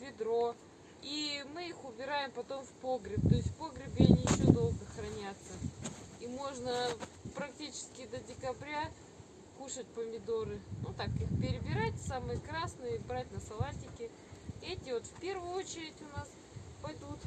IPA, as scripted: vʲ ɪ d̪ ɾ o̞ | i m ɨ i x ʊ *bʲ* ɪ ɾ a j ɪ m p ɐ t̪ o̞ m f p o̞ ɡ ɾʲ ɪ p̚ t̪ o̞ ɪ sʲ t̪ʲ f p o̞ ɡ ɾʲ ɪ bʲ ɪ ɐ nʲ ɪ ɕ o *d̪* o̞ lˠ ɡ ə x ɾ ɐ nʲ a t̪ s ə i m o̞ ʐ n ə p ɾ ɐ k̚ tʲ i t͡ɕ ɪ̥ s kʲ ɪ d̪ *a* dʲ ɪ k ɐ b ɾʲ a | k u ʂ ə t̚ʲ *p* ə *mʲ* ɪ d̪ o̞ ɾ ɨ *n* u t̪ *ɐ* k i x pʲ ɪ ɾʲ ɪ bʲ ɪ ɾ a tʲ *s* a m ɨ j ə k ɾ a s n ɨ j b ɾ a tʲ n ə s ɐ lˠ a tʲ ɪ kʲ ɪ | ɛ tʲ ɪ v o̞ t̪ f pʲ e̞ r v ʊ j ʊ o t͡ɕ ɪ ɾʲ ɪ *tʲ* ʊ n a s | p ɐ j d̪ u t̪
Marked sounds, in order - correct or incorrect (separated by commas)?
correct, correct, incorrect, correct, correct, correct, incorrect, correct, correct